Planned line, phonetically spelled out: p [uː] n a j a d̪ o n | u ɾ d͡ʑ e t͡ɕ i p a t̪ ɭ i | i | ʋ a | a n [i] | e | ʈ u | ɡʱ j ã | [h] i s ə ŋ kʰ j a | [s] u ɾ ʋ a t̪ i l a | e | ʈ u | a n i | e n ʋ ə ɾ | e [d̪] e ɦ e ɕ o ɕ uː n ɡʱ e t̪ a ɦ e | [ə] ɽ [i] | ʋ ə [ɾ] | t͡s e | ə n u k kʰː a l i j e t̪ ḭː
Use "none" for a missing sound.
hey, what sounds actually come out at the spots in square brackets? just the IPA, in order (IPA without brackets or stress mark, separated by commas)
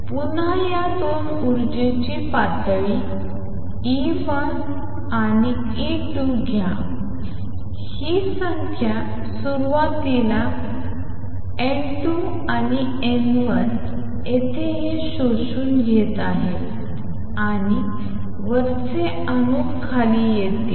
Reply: u, i, h, s, t̪, a, i, ɾ